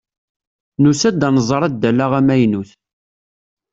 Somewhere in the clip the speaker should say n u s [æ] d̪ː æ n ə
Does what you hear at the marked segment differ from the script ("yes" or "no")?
no